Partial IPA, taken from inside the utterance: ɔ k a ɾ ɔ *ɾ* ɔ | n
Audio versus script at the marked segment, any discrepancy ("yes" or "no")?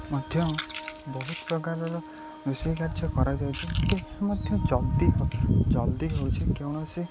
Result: no